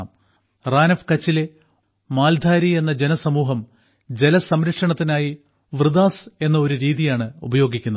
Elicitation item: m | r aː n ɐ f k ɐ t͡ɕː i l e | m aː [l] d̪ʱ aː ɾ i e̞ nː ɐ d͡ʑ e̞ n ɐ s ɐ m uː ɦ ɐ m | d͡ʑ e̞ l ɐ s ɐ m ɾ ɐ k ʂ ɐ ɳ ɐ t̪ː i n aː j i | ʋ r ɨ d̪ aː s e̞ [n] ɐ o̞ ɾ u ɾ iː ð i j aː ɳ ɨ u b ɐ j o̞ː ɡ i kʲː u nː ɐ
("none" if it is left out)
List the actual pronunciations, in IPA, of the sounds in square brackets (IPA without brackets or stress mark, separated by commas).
l, nː